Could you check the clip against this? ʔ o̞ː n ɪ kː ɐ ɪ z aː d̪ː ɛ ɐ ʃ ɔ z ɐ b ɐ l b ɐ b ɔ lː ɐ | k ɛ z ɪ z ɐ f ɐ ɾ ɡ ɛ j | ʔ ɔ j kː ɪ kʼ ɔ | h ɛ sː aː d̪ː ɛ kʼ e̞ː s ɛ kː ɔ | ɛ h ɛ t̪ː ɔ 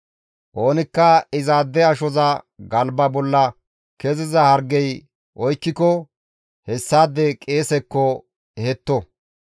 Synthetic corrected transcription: ʔ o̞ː n ɪ kː ɐ ɪ z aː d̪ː ɛ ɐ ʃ ɔ z ɐ ɡ ɐ l b ɐ b ɔ lː ɐ | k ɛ z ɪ z ɐ h ɐ ɾ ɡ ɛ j | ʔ ɔ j kː ɪ k ɔ | h ɛ sː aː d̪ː ɛ kʼ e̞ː s ɛ kː ɔ | ɛ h ɛ t̪ː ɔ